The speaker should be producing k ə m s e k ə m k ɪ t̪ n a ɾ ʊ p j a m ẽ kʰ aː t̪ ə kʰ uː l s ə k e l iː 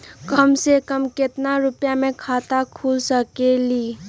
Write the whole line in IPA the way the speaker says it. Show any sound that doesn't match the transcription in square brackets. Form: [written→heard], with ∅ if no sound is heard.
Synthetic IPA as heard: k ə m s e k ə m k ɪ t̪ n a ɾ ʊ p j a m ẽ kʰ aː t̪ [ə→a] kʰ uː l s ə k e l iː